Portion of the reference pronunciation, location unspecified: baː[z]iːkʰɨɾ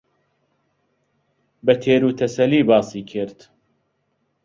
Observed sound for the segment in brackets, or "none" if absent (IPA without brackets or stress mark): s